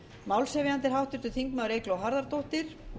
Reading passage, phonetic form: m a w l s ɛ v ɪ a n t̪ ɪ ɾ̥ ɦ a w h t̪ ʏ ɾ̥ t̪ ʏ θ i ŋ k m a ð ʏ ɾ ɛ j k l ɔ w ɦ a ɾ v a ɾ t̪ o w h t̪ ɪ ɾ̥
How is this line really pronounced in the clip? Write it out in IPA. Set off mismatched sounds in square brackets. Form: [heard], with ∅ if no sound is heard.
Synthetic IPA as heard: m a w l s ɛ v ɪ a n t̪ ɪ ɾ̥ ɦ a w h t̪ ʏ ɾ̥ t̪ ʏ θ i ŋ k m a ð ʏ ɾ [e] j k l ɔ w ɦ a ɾ [ð] a ɾ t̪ o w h t̪ ɪ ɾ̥